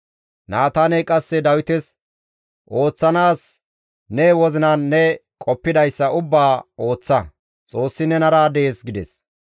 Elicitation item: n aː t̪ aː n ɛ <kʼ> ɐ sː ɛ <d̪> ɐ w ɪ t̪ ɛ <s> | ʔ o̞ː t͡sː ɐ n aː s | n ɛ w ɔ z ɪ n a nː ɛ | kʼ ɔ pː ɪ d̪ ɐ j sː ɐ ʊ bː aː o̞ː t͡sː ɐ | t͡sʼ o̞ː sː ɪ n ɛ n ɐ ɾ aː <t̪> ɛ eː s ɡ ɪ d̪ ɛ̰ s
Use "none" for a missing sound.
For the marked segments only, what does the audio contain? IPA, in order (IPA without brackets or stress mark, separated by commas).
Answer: kʼ, d̪, s, d̪